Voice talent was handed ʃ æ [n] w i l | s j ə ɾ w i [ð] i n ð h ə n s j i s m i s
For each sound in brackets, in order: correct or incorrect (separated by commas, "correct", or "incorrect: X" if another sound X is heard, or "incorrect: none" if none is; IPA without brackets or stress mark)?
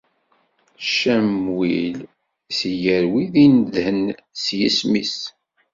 incorrect: m, correct